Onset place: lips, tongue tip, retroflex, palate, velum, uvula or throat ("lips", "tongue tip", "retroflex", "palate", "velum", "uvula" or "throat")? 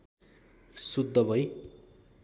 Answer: tongue tip